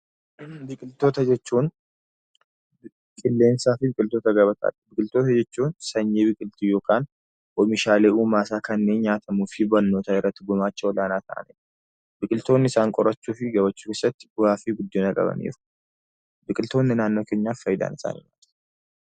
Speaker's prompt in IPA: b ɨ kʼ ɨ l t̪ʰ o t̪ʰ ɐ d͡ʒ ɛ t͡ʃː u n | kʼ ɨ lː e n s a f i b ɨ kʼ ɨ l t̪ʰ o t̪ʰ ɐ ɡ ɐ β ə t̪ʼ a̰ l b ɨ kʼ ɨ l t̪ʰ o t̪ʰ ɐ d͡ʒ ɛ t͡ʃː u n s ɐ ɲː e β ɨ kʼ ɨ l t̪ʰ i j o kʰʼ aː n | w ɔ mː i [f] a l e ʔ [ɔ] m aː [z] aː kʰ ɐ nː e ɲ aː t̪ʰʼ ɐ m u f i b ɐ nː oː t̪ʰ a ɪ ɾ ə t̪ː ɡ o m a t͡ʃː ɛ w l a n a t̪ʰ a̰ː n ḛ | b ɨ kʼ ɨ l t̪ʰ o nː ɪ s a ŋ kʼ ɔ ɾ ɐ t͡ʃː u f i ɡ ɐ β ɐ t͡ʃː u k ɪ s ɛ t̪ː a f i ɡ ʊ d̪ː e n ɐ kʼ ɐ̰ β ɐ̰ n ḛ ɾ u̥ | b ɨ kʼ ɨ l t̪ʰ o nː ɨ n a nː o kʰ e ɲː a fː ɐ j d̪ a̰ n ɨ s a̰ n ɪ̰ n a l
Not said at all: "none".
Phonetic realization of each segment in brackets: ʃ, u, s

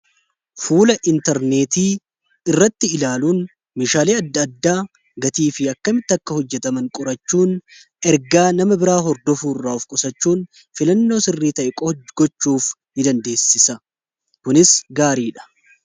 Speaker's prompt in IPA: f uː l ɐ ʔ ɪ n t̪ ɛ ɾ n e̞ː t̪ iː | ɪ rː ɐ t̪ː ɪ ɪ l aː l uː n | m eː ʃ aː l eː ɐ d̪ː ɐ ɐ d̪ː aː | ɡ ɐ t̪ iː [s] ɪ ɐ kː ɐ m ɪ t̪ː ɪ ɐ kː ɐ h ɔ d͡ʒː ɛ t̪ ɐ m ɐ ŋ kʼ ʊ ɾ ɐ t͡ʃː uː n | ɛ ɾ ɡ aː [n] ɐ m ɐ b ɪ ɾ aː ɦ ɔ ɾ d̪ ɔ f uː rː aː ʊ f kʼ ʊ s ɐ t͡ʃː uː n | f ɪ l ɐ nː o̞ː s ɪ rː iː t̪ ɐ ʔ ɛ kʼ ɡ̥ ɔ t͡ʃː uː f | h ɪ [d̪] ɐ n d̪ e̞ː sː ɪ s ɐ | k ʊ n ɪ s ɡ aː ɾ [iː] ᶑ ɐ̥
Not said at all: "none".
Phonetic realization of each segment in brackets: f, n, d̪, iː

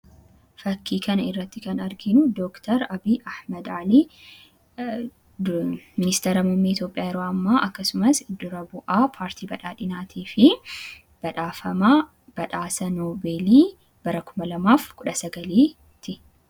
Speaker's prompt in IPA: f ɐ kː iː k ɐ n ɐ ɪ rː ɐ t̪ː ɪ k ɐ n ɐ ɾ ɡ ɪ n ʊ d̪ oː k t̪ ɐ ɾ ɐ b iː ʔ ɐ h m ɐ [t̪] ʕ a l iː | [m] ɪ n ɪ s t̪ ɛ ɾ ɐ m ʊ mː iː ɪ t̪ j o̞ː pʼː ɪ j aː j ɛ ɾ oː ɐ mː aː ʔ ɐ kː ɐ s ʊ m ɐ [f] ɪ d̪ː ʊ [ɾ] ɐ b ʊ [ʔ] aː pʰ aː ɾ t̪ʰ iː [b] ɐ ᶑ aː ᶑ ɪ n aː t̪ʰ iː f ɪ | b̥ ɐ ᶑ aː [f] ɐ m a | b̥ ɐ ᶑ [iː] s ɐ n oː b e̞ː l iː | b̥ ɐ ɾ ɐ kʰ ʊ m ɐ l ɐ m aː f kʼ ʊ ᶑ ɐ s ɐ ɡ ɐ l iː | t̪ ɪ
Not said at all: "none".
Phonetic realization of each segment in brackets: d̪, m, s, ɾ, ʔ, b, f, aː

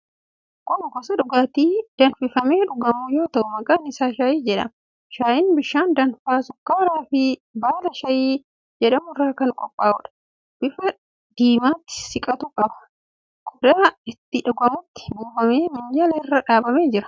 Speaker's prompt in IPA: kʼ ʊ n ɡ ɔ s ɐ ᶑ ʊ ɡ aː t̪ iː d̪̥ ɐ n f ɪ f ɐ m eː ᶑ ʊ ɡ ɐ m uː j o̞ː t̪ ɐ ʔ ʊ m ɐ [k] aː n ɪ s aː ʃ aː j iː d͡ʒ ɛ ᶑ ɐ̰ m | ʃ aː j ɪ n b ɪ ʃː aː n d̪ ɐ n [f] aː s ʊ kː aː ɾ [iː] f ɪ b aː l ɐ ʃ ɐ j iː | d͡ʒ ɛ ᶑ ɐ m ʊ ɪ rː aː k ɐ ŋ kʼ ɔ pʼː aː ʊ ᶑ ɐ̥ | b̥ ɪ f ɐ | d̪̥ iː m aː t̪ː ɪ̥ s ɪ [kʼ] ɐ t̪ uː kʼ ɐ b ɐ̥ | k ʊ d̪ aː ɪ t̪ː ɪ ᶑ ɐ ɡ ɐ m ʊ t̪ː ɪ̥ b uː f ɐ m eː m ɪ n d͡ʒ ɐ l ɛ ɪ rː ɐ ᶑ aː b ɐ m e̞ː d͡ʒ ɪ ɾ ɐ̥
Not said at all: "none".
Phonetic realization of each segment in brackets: kʼ, f, aː, kʼ

